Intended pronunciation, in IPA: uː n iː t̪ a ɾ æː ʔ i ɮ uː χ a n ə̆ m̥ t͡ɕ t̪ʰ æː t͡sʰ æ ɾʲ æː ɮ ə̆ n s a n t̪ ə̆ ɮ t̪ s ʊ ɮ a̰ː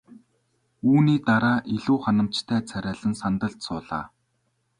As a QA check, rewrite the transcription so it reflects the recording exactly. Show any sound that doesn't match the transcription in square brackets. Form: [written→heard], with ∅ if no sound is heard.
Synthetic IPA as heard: uː n iː t̪ a ɾ [æː→aː] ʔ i ɮ uː χ a n ə̆ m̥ t͡ɕ t̪ʰ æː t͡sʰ æ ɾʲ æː ɮ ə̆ n s a n t̪ ə̆ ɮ t̪ s [ʊ→ʊː] ɮ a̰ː